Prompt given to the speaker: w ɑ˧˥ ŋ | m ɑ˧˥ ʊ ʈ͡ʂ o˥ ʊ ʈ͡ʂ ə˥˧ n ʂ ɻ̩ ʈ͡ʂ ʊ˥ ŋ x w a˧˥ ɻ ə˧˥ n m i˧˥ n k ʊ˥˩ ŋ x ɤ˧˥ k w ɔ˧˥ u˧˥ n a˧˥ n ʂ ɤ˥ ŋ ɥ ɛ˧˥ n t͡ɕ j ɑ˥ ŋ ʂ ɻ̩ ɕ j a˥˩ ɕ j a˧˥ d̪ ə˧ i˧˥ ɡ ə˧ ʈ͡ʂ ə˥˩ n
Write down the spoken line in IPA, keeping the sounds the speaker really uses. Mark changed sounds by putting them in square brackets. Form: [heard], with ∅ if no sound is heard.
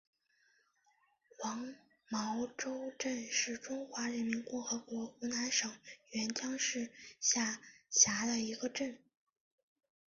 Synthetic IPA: w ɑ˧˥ ŋ | m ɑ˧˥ ʊ ʈ͡ʂ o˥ ʊ ʈ͡ʂ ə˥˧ n ʂ ɻ̩ ʈ͡ʂ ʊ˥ ŋ x w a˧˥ ɻ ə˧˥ n m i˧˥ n k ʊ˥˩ ŋ x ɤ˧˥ k w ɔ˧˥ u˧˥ n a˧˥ n ʂ [ɤ˨˩] ŋ ɥ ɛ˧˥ n t͡ɕ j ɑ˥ ŋ ʂ ɻ̩ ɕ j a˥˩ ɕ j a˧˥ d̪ ə˧ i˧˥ ɡ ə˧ ʈ͡ʂ ə˥˩ n